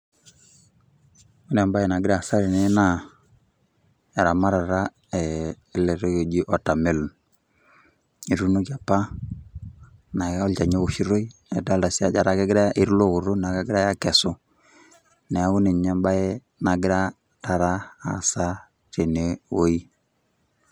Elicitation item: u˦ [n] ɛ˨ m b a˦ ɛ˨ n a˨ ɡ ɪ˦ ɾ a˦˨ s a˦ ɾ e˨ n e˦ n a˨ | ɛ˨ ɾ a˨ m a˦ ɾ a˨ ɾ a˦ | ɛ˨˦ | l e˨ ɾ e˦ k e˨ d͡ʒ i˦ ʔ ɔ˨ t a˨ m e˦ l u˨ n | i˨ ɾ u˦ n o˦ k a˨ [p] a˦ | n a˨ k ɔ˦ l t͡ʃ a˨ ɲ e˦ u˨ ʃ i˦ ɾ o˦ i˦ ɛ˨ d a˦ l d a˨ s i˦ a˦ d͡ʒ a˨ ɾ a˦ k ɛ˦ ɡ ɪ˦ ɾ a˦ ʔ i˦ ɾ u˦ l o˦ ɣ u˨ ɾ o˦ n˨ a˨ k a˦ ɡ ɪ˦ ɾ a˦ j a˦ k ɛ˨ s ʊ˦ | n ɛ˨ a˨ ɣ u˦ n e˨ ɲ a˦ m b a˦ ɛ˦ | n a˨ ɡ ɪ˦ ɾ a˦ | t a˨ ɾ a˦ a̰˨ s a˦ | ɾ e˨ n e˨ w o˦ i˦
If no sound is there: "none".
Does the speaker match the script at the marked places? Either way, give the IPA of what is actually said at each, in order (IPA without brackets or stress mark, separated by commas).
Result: n, p